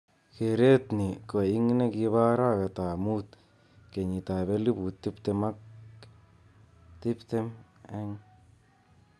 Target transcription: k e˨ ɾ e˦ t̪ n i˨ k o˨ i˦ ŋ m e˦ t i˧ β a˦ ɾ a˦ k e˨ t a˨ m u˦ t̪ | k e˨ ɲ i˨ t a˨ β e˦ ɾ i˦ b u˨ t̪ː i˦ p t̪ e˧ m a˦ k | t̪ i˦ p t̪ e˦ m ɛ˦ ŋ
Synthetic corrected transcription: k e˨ ɾ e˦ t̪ n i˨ k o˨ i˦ ŋ n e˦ k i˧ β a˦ ɾ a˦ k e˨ t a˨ m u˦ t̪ | k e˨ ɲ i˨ t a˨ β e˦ l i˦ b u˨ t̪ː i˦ p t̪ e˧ m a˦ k | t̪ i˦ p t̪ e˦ m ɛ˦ ŋ